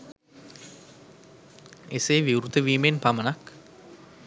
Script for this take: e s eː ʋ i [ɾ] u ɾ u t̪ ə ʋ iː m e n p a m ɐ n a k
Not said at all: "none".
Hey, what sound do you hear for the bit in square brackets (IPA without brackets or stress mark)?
none